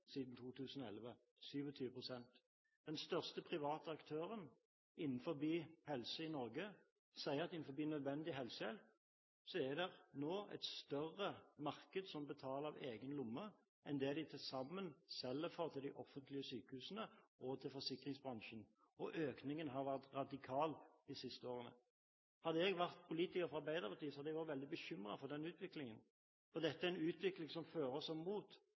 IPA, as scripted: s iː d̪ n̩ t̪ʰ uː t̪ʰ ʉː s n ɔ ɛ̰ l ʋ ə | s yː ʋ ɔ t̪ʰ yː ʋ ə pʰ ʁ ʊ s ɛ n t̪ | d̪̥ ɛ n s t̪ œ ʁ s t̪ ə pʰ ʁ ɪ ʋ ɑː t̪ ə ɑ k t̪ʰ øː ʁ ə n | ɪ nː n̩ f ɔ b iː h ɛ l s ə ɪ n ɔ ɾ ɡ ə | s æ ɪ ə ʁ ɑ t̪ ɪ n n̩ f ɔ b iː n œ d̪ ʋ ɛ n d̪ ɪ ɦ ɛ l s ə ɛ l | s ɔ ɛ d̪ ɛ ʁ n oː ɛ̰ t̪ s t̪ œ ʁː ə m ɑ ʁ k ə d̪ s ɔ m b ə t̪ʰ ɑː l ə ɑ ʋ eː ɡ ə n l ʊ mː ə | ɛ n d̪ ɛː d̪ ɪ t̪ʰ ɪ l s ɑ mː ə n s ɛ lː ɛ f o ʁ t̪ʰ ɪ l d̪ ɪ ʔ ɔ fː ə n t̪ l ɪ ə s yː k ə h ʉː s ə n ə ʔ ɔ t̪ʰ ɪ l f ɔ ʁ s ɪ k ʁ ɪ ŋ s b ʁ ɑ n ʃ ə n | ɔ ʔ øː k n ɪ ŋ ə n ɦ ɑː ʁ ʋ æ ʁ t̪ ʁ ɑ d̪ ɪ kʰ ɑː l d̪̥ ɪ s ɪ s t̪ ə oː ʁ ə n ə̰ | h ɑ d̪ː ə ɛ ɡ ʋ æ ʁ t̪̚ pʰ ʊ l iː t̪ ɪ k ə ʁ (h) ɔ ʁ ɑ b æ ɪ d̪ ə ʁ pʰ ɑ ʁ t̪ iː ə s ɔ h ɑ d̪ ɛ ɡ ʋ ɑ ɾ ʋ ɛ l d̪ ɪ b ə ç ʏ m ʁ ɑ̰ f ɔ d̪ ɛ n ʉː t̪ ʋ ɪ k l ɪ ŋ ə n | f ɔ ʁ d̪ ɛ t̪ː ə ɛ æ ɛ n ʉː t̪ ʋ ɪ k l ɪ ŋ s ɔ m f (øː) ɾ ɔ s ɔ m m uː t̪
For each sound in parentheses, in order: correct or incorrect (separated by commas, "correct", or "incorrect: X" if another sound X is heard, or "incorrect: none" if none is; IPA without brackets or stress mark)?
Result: incorrect: f, correct